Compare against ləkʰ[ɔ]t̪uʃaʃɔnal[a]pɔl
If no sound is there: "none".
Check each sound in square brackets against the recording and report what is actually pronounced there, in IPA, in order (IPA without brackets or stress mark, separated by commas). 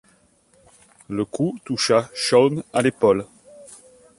u, e